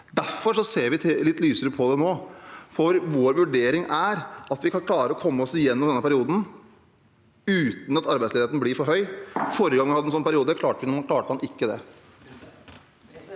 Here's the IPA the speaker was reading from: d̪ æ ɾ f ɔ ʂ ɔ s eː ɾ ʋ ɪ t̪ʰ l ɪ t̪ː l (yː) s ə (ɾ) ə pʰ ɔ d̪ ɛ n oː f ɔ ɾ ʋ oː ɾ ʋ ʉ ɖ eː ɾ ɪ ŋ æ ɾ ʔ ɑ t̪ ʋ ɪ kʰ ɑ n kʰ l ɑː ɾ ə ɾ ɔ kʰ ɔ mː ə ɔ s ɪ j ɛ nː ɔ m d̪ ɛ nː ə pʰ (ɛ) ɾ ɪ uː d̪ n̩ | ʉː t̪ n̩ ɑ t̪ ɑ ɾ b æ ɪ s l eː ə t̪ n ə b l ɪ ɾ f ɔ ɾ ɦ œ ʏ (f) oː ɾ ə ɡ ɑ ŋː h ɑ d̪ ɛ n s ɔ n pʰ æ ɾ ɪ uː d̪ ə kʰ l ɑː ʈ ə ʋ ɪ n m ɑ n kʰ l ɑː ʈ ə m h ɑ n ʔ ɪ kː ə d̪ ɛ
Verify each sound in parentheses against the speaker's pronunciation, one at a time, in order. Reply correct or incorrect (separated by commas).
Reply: correct, correct, incorrect, correct